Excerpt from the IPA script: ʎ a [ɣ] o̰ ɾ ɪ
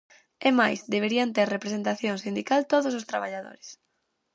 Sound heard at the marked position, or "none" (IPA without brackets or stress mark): ð